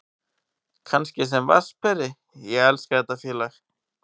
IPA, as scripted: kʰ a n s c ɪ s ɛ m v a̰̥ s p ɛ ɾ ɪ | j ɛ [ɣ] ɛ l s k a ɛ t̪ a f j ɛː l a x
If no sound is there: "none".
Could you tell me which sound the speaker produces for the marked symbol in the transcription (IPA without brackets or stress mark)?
ɣ